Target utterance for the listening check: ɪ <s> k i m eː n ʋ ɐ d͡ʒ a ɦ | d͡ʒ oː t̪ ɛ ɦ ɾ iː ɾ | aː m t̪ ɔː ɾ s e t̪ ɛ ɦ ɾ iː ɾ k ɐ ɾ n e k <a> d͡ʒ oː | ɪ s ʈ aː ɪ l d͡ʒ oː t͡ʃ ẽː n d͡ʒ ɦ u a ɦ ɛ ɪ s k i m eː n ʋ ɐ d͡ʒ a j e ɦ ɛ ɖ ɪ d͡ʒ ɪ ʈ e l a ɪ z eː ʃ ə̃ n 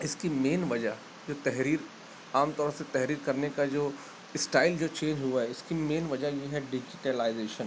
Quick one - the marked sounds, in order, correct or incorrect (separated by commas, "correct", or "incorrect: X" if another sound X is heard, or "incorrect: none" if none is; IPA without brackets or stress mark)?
correct, correct